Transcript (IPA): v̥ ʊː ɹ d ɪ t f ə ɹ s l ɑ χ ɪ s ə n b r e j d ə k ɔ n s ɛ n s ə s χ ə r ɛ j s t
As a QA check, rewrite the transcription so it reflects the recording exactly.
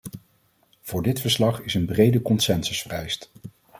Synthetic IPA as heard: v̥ ʊː ɹ d ɪ t f ə ɹ s l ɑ χ ɪ s ə n b r e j d ə k ɔ n s ɛ n s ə s f ə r ɛ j s t